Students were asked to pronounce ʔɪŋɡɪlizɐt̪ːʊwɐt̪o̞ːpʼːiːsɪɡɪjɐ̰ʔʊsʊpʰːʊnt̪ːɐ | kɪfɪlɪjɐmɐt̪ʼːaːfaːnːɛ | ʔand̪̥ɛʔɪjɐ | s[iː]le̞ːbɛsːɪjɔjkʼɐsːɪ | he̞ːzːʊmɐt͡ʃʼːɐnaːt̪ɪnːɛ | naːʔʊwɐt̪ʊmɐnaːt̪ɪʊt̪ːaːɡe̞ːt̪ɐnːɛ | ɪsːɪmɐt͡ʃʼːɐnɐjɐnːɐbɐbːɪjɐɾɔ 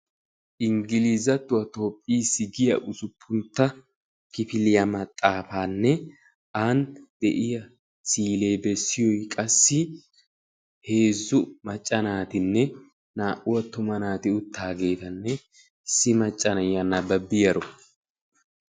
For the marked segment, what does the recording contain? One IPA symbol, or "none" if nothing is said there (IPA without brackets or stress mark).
iː